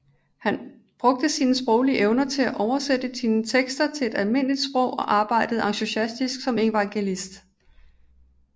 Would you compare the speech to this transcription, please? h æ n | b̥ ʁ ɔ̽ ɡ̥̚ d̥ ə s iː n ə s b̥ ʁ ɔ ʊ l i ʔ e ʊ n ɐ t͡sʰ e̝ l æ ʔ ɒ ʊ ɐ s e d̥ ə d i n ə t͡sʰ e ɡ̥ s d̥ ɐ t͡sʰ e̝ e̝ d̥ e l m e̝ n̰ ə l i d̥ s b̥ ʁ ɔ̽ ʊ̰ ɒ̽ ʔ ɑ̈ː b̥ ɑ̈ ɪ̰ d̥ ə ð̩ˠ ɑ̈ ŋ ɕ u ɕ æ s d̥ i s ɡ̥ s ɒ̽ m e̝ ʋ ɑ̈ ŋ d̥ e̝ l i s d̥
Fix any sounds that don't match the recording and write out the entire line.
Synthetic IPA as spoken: h æ n | b̥ ʁ ɔ̽ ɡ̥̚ d̥ ə s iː n ə s b̥ ʁ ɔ ʊ l i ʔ e ʊ n ɐ t͡sʰ e̝ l æ ʔ ɒ ʊ ɐ s e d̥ ə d i n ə t͡sʰ e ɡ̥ s d̥ ɐ t͡sʰ e̝ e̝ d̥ æ l m e̝ n̰ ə l i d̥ s b̥ ʁ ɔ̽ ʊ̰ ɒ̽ ʔ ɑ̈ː b̥ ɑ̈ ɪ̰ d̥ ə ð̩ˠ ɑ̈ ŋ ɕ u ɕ æ s d̥ i s ɡ̥ s ɒ̽ m e̝ ʋ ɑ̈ ŋ ɡ̥ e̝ l i s d̥

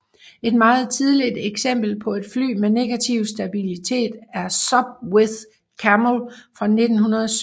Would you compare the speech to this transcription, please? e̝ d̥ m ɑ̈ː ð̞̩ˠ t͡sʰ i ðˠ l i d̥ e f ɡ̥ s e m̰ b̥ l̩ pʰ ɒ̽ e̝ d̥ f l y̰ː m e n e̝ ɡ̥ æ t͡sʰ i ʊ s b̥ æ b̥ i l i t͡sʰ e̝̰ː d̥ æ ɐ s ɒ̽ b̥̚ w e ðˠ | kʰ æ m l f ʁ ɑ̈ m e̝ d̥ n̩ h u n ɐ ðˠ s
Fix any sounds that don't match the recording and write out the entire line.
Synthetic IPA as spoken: e̝ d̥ m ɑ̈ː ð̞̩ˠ t͡sʰ i ðˠ l i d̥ e ɡ̥ s e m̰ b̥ l̩ pʰ ɒ̽ e̝ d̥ f l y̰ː m e n e̝ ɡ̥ æ t͡sʰ i ʊ s d̥ æ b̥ i l i t͡sʰ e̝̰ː d̥ æ ɐ s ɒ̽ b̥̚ w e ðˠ | kʰ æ m l f ʁ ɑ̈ n e̝ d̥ n̩ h u n ɐ ðˠ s

